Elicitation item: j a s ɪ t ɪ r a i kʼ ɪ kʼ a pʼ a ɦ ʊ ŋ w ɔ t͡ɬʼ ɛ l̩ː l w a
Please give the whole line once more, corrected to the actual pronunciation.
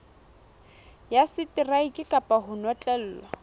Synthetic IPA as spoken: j a s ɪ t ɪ r a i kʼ ɪ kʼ a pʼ a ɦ ʊ n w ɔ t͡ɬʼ ɛ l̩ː l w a